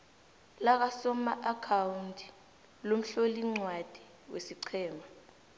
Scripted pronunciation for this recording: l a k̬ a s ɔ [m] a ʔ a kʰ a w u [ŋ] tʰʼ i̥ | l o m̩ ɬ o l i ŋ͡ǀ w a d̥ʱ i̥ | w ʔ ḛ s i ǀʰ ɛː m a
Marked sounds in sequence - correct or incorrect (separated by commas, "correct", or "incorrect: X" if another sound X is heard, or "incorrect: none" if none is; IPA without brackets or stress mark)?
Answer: correct, incorrect: n